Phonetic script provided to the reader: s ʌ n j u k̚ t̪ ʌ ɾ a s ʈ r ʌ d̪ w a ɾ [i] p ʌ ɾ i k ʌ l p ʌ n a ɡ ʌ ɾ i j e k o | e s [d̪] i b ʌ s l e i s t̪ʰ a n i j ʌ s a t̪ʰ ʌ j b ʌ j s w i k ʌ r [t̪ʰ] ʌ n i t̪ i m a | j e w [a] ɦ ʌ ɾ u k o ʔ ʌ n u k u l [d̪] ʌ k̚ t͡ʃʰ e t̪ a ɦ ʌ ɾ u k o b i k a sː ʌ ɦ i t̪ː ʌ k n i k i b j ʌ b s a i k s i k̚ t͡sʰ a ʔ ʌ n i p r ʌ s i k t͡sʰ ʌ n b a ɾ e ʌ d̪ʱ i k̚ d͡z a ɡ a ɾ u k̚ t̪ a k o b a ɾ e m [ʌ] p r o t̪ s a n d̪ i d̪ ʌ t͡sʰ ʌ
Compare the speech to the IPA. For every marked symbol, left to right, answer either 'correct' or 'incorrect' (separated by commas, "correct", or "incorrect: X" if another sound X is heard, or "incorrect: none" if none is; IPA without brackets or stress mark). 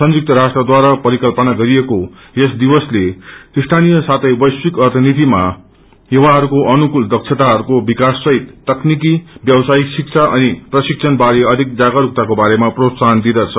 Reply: incorrect: a, correct, correct, correct, correct, incorrect: a